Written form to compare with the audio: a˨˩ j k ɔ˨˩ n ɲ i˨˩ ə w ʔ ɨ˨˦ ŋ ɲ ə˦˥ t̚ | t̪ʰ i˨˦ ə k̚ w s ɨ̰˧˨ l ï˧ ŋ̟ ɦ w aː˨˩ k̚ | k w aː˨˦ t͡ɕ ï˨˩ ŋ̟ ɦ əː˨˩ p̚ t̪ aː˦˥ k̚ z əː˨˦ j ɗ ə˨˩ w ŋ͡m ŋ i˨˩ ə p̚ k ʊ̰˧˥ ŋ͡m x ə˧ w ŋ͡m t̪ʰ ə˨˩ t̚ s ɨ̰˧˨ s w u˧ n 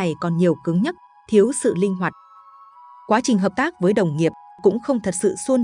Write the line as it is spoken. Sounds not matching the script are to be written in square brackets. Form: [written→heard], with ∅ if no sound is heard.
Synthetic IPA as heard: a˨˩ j k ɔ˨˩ n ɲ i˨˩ ə w [ʔ→k] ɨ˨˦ ŋ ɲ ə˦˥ t̚ | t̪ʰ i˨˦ ə [k̚→∅] w s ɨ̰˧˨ l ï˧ ŋ̟ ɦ w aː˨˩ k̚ | k w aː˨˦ t͡ɕ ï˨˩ ŋ̟ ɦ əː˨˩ p̚ t̪ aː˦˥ k̚ [z→v] əː˨˦ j ɗ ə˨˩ w ŋ͡m ŋ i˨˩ ə p̚ k ʊ̰˧˥ ŋ͡m x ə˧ w ŋ͡m t̪ʰ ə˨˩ t̚ s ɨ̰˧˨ s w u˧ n